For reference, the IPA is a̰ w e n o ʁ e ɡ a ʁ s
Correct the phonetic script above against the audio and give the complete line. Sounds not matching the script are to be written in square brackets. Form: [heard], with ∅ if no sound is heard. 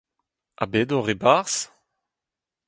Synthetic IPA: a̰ [b] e [d] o ʁ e [b] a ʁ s